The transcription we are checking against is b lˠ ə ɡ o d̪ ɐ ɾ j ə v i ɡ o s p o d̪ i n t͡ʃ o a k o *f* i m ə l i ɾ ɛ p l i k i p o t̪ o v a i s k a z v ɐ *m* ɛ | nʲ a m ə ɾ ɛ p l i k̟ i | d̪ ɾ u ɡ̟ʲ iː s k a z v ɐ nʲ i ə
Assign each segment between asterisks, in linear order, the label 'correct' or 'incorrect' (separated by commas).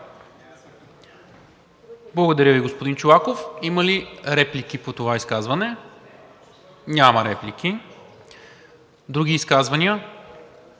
correct, incorrect